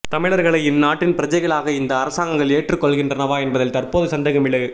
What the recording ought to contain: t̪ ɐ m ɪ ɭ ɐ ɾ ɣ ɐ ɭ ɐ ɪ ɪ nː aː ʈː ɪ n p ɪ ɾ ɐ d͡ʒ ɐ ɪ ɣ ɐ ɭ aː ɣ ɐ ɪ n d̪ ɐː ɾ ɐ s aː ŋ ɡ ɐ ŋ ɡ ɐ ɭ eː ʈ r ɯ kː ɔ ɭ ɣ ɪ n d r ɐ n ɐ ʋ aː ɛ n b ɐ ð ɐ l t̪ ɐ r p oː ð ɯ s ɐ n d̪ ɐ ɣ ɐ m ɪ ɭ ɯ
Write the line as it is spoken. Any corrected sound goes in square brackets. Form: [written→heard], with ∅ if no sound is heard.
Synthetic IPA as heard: t̪ ɐ m ɪ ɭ ɐ ɾ ɣ ɐ ɭ ɐ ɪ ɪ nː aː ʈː ɪ n p ɪ ɾ ɐ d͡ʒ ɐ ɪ ɣ ɐ ɭ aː ɣ ɐ ɪ n d̪ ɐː ɾ ɐ s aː ŋ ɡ ɐ ŋ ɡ ɐ ɭ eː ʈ r ɯ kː ɔ ɭ ɣ ɪ n d r ɐ n ɐ ʋ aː ɛ n b ɐ ð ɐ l t̪ ɐ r p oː ð ɯ s ɐ n d̪ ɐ ɣ ɐ m ɪ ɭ ɯ